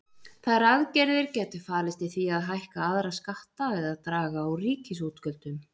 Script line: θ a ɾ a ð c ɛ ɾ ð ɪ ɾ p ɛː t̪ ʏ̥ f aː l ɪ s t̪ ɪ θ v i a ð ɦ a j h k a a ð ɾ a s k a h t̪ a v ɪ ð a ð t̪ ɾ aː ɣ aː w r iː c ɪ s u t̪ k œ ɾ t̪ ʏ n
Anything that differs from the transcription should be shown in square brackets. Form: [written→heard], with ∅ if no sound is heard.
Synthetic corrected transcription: θ a ɾ a ð c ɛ ɾ ð ɪ ɾ [p→c] ɛː t̪ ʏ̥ f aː l ɪ s t̪ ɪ θ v i a ð ɦ a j h k a a ð ɾ a s k a h t̪ a v ɪ ð a ð t̪ ɾ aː ɣ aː w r iː c ɪ s u t̪ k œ [ɾ→l] t̪ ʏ n

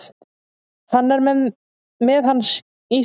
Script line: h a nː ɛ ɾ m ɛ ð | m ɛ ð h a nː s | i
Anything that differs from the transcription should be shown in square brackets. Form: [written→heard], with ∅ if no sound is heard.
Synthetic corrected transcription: [h→θ] a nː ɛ ɾ m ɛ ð | m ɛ ð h a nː s | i

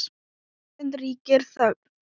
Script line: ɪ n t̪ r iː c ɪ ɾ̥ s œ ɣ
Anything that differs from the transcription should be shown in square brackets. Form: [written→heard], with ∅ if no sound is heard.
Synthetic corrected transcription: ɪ n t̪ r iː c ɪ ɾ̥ [s→θ] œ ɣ

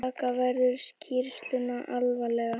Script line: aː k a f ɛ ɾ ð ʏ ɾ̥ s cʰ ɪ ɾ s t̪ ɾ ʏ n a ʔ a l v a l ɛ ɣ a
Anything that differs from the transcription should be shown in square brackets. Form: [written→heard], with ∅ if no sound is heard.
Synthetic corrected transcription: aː k a [f→v] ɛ ɾ ð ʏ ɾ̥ s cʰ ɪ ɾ s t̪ [ɾ→l] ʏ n a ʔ a l v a l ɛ ɣ a

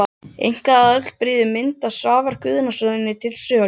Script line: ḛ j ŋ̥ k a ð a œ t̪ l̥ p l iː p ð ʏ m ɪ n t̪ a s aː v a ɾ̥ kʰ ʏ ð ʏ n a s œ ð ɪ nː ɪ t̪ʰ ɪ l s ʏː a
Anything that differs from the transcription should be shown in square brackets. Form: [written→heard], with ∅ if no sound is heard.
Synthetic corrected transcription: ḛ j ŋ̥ k a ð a œ t̪ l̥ p [l→ɾ] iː [p→∅] ð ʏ m ɪ n t̪ a s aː v a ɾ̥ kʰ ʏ ð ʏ n a s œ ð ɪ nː ɪ t̪ʰ ɪ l s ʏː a

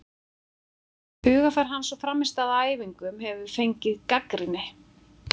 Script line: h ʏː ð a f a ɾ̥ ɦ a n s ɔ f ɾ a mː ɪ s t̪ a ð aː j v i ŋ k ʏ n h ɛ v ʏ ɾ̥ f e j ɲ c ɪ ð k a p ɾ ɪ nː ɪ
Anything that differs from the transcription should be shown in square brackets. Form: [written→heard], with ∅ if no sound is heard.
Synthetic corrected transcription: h ʏː [ð→ɣ] a f a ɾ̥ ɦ a n s ɔ f ɾ a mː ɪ s t̪ a ð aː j v i ŋ k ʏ [n→m] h ɛ v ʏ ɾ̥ f e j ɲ c ɪ ð k a [p→k] ɾ ɪ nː ɪ

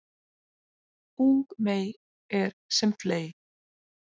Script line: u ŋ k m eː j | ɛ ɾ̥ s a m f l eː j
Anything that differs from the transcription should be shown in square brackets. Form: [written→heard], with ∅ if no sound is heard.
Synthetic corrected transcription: u ŋ k m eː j | ɛ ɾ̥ s [a→ɛ] m f l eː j

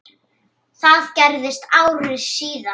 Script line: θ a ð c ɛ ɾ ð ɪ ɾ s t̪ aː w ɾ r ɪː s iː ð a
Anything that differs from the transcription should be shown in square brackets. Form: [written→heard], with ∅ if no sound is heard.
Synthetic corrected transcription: θ a ð c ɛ ɾ ð ɪ [ɾ→∅] s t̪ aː w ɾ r [ɪː→ɪ] s iː ð a

